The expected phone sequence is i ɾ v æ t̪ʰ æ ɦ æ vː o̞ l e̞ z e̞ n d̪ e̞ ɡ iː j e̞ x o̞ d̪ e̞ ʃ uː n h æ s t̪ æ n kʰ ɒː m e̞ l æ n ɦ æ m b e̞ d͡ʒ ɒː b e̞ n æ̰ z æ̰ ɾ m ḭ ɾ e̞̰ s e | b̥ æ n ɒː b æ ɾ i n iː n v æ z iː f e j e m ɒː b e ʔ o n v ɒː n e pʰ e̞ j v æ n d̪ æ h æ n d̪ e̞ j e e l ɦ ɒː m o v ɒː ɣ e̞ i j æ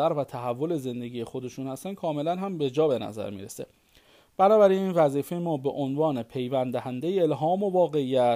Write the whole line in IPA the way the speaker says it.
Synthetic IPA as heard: æ ɾ v æ t̪ʰ æ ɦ æ vː o̞ l e̞ z e̞ n d̪ e̞ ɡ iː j e̞ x o̞ d̪ e̞ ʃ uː n h æ s t̪ æ n kʰ ɒː m e̞ l æ n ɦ æ m b e̞ d͡ʒ ɒː b e̞ n æ̰ z æ̰ ɾ m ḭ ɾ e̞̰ s e | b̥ æ n ɒː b æ ɾ i n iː n v æ z iː f e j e m ɒː b e ʔ o n v ɒː n e pʰ e̞ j v æ n d̪ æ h æ n d̪ e̞ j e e l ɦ ɒː m o v ɒː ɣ e̞ i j æ